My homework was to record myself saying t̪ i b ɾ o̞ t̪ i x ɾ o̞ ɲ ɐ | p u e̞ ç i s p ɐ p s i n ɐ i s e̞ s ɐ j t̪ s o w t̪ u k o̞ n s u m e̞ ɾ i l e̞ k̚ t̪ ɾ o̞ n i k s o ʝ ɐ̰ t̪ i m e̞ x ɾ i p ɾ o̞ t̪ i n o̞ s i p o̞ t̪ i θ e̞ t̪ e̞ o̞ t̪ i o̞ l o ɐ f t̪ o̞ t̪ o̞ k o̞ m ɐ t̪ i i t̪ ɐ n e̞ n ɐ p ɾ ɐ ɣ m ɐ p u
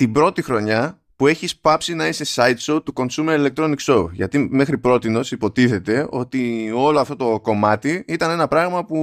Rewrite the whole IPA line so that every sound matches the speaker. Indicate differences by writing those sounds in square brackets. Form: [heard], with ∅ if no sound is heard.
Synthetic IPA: t̪ i b ɾ o̞ t̪ i x ɾ o̞ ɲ ɐ | p u e̞ ç i s p ɐ p s i n ɐ i s e̞ s ɐ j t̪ s o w t̪ u k o̞ n s u m e̞ ɾ i l e̞ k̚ t̪ ɾ o̞ n i k s o ʝ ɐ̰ t̪ i m e̞ x ɾ i p ɾ o̞ t̪ i n o̞ s i p o̞ t̪ i θ e̞ t̪ e̞ o̞ t̪ i o̞ l o ɐ f t̪ o̞ t̪ o̞ k o̞ m ɐ t̪ i i t̪ ɐ n e̞ n ɐ p ɾ ɐ ɣ m ɐ p u